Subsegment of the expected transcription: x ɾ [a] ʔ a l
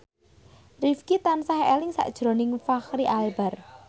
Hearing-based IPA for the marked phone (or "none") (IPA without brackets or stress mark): i